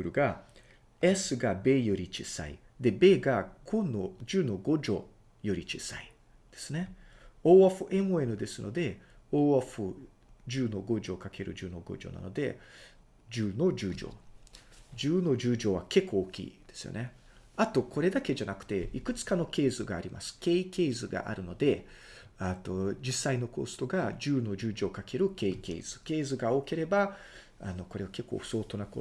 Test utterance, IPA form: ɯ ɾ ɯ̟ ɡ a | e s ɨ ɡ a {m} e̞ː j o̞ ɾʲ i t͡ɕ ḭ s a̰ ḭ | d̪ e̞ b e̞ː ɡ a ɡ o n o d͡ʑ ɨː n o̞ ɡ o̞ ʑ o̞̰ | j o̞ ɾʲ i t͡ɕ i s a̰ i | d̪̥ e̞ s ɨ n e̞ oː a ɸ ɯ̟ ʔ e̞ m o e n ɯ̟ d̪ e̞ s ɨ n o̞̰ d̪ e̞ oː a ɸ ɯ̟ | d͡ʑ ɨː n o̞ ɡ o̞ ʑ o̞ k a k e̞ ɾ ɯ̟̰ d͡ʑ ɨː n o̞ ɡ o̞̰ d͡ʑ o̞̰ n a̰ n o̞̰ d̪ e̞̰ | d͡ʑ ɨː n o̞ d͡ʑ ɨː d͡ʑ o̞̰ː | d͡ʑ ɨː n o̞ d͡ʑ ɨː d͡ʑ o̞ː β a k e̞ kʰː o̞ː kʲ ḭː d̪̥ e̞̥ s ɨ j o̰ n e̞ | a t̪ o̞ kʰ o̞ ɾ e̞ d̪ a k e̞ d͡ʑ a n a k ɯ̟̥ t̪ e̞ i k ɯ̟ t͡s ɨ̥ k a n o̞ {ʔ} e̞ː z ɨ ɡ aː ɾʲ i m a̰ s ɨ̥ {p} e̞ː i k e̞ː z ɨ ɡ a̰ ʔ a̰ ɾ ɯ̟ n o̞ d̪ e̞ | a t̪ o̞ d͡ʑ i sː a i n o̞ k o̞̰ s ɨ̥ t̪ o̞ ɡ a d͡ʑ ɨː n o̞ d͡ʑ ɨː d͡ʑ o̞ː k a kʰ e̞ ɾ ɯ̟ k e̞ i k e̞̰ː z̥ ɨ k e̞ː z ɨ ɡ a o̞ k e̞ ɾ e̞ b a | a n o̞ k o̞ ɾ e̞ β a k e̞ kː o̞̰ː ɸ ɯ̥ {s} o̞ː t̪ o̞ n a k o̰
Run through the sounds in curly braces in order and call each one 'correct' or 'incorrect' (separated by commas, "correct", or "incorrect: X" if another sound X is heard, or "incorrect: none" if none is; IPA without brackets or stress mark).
incorrect: b, incorrect: k, incorrect: k, correct